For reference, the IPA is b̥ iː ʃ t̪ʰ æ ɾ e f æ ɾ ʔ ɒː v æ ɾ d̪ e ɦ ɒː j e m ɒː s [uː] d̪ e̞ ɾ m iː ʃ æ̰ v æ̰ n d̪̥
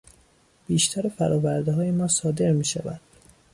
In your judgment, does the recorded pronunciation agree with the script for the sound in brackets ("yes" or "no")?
no